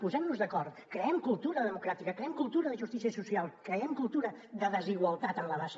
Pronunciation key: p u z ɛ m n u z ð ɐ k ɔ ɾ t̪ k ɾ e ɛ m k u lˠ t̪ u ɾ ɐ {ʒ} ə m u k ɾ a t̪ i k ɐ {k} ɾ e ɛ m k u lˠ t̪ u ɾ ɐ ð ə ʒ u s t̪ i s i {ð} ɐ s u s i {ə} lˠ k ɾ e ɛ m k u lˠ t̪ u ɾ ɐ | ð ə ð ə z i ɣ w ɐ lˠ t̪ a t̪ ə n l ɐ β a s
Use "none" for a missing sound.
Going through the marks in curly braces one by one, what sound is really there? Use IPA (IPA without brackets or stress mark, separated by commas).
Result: ð, k, none, a